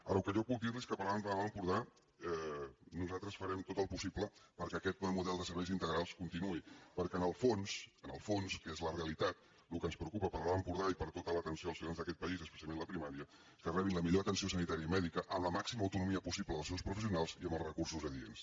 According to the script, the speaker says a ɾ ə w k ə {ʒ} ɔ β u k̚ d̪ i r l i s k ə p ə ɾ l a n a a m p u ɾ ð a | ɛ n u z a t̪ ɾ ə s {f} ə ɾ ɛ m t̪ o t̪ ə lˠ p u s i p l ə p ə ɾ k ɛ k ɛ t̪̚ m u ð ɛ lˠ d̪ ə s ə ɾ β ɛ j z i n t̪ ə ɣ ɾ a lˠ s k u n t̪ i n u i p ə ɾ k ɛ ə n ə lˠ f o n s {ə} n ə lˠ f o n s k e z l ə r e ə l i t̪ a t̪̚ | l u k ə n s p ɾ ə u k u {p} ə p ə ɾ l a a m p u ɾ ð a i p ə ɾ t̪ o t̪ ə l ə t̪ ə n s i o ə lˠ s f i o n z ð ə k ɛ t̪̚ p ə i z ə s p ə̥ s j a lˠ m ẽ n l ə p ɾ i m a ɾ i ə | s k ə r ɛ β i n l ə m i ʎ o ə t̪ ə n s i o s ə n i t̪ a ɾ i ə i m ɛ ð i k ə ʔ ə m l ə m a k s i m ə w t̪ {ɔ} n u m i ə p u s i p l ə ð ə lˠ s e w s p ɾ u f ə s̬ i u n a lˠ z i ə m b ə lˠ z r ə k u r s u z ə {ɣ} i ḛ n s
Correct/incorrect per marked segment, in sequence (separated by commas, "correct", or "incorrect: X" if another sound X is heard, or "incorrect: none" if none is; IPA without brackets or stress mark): correct, correct, correct, correct, incorrect: u, incorrect: ð